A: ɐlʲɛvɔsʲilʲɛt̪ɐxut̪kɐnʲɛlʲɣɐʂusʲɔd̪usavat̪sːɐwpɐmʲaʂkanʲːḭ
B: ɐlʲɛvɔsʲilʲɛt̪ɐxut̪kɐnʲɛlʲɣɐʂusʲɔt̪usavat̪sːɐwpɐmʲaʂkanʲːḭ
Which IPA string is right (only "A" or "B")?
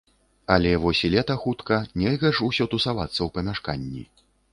B